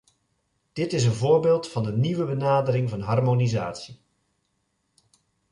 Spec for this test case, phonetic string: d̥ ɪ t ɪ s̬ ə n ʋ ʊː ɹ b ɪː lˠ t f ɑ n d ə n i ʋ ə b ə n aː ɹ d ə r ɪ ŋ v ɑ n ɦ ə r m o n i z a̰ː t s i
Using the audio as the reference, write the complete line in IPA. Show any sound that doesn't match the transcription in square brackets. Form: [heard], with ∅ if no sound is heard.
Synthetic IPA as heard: d̥ ɪ t ɪ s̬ ə n [v] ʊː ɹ b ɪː lˠ t f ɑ n d ə n i ʋ ə b ə n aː [∅] d ə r ɪ ŋ v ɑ n ɦ [ɑ] r m o n i z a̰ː t s i